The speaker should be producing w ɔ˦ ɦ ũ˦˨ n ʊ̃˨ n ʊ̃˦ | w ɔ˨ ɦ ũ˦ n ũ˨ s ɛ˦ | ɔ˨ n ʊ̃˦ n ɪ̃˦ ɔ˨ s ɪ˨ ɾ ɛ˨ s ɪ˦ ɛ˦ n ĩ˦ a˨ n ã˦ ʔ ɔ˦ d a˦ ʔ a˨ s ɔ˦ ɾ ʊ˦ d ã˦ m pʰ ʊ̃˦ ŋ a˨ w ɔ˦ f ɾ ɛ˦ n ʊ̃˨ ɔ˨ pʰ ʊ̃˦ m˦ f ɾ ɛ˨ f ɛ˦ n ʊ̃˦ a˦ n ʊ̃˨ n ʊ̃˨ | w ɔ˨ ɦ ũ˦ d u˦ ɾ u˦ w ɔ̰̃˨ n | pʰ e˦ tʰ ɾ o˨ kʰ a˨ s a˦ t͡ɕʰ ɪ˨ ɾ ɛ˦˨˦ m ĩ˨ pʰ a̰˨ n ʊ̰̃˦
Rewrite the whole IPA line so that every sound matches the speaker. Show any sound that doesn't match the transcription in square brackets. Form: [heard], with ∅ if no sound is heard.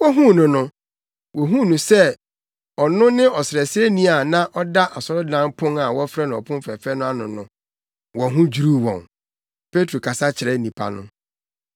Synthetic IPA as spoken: w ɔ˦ ɦ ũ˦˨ n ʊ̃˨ n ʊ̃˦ | w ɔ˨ ɦ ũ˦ n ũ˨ s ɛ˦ | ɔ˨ n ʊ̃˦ n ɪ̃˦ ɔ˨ s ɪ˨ ɾ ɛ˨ s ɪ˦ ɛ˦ n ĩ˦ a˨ n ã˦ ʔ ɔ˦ d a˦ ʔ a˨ s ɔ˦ ɾ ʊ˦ d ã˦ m pʰ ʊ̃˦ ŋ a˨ w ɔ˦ f ɾ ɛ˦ n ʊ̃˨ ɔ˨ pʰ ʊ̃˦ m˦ f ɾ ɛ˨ f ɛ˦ n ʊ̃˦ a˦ n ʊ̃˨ n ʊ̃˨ | w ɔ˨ ɦ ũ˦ [d͡ʑ] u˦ ɾ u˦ w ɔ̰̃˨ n | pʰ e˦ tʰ ɾ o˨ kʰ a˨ s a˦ t͡ɕʰ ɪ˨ ɾ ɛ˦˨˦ [n] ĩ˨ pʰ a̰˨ n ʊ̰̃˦

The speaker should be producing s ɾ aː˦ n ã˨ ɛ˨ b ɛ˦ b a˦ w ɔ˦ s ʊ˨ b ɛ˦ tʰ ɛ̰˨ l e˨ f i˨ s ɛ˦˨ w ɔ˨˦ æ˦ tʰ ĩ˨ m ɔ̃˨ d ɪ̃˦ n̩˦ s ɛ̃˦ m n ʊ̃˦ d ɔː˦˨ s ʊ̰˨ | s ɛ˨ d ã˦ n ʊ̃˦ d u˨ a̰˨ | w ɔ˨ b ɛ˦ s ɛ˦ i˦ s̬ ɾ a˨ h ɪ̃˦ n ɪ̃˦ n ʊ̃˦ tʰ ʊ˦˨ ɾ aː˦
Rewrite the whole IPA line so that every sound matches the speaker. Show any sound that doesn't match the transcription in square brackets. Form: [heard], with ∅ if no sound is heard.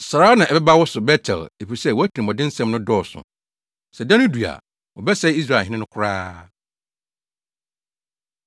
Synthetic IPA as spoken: s ɾ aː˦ n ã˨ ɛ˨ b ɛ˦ b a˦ w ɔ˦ s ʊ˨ b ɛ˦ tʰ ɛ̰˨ l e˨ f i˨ s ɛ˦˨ w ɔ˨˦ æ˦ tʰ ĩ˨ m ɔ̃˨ d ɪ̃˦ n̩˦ s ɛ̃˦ m n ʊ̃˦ d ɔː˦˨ s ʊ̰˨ | s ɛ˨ d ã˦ n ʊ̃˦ d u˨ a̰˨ | w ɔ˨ b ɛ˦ s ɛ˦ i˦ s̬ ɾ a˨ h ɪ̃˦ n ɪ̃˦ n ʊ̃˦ [kʰ] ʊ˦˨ ɾ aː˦

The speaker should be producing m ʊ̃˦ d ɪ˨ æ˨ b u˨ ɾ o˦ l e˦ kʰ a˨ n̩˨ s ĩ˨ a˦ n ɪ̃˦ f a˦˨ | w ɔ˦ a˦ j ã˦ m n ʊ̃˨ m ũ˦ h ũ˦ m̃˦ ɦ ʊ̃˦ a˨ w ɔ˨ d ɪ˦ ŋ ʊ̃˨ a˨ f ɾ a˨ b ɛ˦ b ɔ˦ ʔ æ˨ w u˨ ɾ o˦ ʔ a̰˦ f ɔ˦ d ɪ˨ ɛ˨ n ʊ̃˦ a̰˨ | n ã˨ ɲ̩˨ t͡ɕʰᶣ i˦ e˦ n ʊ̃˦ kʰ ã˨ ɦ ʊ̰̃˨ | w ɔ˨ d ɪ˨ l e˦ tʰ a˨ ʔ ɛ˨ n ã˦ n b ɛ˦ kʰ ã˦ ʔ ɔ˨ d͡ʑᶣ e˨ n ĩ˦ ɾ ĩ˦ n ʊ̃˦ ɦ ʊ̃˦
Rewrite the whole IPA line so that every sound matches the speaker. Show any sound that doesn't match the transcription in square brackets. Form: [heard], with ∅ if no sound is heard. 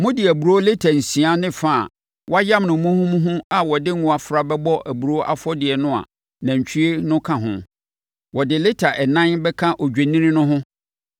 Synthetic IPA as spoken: m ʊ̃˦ d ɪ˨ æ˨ b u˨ ɾ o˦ l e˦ [tʰ] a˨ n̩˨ s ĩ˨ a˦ n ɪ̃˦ f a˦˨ | w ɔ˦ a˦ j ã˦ m n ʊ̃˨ m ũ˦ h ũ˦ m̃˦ ɦ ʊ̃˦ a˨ w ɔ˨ d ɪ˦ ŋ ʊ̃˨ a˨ f ɾ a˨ b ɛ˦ b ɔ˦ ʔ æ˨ [b] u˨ ɾ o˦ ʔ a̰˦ f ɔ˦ d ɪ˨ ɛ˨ n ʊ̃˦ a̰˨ | n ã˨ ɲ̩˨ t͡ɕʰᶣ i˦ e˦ n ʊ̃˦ kʰ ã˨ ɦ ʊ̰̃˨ | w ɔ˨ d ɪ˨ l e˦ tʰ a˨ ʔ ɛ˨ n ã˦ n b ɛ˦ kʰ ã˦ ʔ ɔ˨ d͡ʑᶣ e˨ n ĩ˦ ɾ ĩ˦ n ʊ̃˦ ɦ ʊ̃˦

